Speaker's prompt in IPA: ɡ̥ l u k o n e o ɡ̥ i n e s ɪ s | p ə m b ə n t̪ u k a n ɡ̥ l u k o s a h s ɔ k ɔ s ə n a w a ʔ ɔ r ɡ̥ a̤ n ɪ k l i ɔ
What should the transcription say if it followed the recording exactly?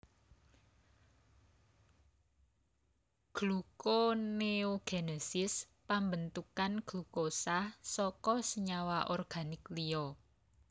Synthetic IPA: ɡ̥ l u k o n e o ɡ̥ e n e s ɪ s | p a m b ə n t̪ u k a n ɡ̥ l u k o s a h s ɔ k ɔ s ə ɲ a w a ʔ ɔ r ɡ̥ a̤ n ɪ k l i ɔ